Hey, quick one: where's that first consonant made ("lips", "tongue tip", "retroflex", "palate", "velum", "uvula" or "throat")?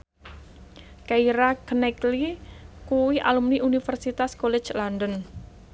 velum